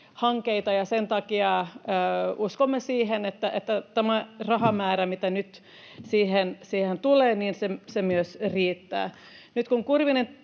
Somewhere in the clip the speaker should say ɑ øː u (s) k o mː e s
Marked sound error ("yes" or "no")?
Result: no